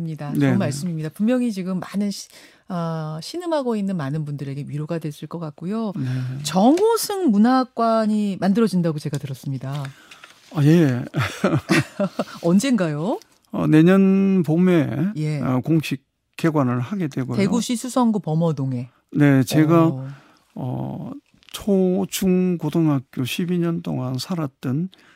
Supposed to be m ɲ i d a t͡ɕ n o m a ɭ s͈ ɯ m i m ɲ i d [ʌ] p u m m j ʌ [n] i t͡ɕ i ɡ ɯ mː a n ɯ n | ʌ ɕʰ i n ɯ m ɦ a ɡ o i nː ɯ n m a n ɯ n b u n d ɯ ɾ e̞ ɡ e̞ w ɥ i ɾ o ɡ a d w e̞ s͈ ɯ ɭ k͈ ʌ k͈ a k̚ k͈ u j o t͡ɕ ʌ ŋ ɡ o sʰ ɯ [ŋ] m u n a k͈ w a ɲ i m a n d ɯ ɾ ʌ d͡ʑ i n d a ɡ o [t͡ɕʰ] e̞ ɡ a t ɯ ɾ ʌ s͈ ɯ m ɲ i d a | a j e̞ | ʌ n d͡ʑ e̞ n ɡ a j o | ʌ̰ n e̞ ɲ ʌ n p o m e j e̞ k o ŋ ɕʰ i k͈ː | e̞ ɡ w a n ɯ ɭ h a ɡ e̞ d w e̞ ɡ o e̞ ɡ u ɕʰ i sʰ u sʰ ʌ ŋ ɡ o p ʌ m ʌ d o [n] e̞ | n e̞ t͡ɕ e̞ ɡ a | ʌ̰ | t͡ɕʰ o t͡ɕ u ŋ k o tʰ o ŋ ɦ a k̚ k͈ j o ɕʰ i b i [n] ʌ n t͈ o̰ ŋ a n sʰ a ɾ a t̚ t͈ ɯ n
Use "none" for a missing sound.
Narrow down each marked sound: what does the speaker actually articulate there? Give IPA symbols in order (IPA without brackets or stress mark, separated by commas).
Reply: a, ŋ, ŋ, t͡ɕ, ŋ, ɲ